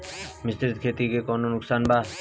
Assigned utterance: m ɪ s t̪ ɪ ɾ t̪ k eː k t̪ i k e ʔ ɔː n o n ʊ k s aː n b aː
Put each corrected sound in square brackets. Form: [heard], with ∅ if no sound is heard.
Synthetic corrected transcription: m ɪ s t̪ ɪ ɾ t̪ [kʰ] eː [∅] t̪ i k e [k] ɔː n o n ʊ k s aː n b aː